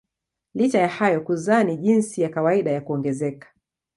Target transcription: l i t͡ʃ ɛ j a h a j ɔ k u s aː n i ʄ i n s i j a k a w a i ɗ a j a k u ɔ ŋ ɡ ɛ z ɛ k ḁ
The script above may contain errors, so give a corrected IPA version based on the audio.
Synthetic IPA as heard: l i t͡ʃ a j a h a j ɔ k u z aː n i ʄ i n s i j a k a w a i ɗ a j a k u ɔ ŋ ɡ ɛ z ɛ k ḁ